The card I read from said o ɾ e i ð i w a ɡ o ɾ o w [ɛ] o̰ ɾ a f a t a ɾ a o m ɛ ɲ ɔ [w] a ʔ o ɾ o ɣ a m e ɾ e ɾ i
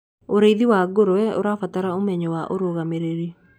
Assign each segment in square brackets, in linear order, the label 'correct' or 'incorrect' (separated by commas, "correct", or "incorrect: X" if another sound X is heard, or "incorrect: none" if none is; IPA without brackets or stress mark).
correct, correct